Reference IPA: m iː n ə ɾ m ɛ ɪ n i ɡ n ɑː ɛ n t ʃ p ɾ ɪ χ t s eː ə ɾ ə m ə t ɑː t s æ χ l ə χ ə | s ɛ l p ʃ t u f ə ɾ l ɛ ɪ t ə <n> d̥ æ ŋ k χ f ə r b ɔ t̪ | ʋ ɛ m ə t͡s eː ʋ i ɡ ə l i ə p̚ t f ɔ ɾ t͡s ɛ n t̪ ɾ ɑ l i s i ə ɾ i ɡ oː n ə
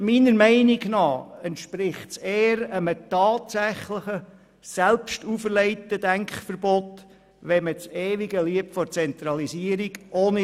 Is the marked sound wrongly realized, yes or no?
yes